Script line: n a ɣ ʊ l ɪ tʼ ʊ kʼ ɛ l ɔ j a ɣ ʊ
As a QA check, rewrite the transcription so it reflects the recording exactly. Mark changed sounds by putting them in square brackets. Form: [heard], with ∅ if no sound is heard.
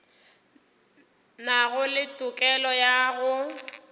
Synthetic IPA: n a ɣ ʊ l ɪ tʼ ʊ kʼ ɛ l ɔ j a ɣ ʊ